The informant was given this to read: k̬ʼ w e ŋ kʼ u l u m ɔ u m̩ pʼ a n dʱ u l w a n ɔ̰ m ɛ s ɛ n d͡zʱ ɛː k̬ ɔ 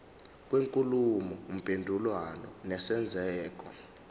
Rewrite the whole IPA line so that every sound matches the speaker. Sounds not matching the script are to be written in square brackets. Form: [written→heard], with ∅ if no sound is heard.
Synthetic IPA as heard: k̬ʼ w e ŋ kʼ u l u m ɔ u m̩ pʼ [a→e] n dʱ u l w a n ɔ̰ [m→n] ɛ s ɛ n d͡zʱ ɛː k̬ ɔ